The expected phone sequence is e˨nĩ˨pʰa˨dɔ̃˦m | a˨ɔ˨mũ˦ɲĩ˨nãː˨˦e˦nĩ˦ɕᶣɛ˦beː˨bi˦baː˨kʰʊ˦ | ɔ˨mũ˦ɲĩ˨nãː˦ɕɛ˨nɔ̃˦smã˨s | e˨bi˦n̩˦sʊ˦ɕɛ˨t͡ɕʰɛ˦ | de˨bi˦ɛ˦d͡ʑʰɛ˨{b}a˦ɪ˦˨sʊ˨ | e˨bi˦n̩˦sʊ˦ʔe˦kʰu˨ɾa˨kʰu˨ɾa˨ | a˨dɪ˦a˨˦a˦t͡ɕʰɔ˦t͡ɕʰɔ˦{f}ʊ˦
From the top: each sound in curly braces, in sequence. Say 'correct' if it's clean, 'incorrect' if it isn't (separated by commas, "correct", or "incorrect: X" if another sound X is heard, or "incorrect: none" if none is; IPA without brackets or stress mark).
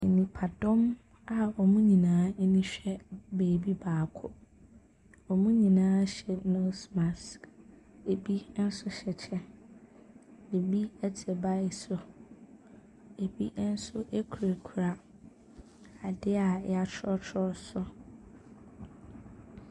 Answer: correct, incorrect: s